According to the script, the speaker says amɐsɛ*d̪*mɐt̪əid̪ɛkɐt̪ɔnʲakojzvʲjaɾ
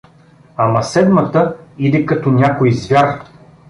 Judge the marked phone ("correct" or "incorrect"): correct